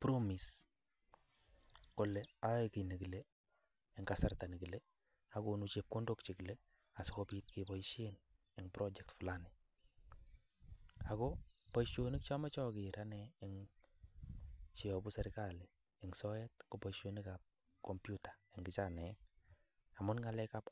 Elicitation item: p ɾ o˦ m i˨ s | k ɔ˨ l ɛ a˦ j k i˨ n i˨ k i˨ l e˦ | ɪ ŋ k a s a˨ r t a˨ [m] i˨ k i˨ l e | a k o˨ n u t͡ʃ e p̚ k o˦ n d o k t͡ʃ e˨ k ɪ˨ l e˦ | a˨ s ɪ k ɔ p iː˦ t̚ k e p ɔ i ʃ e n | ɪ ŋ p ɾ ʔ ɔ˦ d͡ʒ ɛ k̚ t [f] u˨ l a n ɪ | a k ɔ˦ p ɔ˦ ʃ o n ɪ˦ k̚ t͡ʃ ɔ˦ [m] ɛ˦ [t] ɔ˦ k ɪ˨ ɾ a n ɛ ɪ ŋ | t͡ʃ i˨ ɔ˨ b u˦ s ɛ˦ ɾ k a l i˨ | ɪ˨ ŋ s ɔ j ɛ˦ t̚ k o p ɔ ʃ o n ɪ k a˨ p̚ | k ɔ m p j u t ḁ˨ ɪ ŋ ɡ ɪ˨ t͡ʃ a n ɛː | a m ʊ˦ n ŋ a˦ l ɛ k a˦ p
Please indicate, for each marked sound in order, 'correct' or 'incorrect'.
incorrect: n, correct, correct, incorrect: t͡ʃ

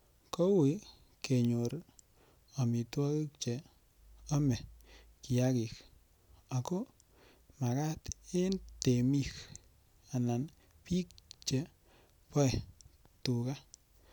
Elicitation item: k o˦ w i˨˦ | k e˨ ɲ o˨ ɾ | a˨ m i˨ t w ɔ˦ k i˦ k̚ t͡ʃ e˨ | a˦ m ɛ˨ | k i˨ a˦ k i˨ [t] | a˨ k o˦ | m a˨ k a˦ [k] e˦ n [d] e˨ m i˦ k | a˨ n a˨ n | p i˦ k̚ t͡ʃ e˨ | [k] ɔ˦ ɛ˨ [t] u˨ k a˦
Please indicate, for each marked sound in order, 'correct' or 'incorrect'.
incorrect: k, incorrect: t, incorrect: t, incorrect: p, correct

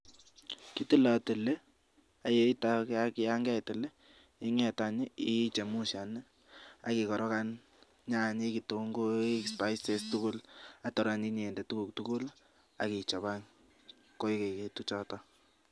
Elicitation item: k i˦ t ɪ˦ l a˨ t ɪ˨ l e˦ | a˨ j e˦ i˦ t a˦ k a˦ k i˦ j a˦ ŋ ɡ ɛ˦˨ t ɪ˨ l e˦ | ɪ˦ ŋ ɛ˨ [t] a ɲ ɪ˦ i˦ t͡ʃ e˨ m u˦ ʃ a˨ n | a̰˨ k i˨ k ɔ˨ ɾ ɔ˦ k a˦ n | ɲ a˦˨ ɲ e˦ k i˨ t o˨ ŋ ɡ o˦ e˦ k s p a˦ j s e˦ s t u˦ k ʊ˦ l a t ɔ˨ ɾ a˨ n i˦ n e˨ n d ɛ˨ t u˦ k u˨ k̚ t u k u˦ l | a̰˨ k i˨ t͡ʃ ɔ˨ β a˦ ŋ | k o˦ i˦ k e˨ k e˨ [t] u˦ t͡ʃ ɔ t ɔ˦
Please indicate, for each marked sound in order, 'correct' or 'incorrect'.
correct, correct

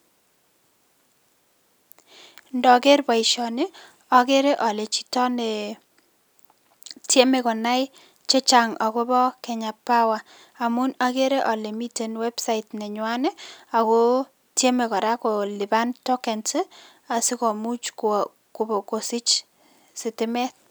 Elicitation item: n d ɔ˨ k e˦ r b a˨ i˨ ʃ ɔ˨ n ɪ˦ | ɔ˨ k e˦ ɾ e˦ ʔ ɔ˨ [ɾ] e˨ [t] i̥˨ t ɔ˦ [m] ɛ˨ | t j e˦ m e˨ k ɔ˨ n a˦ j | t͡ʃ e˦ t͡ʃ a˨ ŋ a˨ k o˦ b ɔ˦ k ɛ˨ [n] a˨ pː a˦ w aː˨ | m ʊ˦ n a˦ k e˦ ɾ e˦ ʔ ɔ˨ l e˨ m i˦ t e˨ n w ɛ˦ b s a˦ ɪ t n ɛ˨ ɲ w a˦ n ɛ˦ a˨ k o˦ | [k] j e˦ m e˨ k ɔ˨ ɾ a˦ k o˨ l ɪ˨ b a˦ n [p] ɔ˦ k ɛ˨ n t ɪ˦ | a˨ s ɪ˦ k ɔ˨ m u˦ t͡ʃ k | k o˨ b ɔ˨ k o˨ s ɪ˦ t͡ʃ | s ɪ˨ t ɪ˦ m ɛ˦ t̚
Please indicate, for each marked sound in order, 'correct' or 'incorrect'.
incorrect: l, incorrect: t͡ʃ, incorrect: n, incorrect: ɲ, incorrect: t, incorrect: t

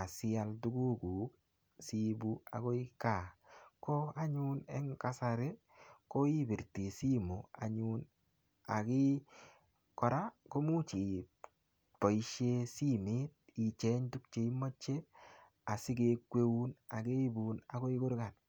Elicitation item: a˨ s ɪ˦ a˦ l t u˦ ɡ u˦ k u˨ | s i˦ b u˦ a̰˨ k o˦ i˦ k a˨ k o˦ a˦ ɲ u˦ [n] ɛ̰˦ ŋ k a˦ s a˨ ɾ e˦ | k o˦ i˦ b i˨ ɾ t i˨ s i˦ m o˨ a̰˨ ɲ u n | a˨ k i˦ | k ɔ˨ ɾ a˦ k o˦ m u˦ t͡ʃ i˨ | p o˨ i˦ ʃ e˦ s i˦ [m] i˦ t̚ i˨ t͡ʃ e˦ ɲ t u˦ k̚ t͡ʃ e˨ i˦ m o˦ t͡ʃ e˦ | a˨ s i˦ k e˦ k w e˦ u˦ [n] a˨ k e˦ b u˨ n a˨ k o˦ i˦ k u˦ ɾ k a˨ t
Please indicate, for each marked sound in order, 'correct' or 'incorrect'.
correct, correct, correct

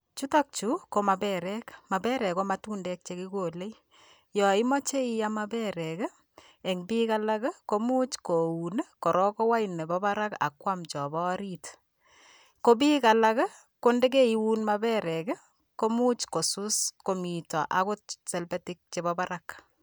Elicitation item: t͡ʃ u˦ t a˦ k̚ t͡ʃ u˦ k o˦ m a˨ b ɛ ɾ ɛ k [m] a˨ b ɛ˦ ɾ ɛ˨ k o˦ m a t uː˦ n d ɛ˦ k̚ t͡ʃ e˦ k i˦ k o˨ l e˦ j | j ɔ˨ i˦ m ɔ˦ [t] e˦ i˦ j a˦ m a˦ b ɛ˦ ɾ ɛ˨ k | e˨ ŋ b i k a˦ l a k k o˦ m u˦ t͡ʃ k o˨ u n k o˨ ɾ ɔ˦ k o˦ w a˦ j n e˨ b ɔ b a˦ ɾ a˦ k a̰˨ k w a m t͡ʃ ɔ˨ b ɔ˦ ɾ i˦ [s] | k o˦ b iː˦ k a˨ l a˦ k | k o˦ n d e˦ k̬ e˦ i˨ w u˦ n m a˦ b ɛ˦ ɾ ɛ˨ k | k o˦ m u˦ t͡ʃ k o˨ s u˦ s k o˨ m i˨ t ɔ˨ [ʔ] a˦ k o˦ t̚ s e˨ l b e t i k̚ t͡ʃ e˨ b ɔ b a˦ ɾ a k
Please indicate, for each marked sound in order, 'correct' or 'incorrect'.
correct, incorrect: t͡ʃ, incorrect: t, correct

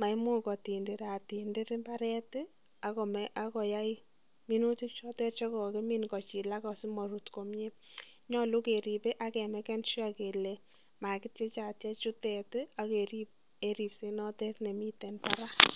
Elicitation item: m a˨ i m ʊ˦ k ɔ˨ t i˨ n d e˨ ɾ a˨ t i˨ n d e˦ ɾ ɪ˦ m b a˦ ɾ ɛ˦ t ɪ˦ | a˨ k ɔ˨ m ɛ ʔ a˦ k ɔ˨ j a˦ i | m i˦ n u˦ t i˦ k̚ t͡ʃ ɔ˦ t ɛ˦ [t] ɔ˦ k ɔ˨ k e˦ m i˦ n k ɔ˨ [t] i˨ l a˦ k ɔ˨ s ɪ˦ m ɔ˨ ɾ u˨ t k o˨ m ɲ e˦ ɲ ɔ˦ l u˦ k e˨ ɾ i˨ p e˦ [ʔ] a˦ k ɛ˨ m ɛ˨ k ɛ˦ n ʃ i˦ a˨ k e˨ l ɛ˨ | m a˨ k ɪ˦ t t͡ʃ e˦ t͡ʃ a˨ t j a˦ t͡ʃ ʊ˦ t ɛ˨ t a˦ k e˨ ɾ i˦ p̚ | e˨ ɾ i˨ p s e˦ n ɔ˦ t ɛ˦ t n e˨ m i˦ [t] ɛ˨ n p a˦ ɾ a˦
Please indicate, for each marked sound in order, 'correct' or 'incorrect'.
incorrect: t͡ʃ, incorrect: t͡ʃ, correct, correct

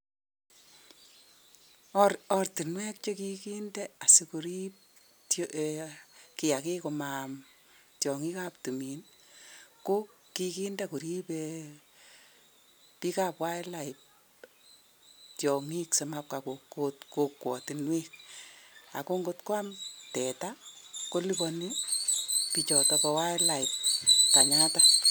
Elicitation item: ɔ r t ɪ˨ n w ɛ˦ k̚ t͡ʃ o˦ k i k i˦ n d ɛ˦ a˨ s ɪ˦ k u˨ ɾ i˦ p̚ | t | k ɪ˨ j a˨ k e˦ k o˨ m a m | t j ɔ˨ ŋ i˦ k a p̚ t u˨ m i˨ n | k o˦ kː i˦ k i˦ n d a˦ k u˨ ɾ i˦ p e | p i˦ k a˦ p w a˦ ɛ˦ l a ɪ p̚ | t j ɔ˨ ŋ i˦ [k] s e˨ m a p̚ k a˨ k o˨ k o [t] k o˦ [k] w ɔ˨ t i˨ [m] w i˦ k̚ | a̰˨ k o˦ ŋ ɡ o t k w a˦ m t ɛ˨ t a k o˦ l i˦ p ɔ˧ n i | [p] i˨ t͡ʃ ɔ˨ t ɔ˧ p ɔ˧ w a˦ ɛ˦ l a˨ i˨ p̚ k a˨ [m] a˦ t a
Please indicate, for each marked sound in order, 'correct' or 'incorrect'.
correct, correct, correct, incorrect: n, correct, incorrect: ɲ

